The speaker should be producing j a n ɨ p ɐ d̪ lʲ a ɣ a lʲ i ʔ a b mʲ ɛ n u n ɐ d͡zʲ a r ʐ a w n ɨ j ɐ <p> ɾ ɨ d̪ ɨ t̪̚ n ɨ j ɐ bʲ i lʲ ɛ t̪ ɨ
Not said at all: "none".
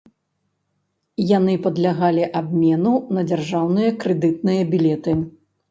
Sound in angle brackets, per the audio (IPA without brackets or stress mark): k